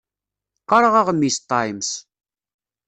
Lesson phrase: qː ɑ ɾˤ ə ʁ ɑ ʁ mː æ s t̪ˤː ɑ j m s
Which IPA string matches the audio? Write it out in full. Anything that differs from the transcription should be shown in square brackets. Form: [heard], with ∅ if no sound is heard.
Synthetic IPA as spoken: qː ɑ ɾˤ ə ʁ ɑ ʁ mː [i] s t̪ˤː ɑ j m s